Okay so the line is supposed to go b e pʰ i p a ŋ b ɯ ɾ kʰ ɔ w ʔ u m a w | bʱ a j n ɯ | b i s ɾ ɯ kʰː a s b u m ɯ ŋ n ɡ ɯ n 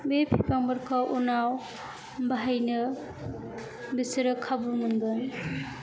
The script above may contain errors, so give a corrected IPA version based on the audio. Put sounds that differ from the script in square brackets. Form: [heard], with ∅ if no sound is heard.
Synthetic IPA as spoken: b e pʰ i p a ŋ b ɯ ɾ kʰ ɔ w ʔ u [n] a w | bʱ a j n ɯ | b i s ɾ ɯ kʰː a [∅] b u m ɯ [∅] n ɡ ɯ n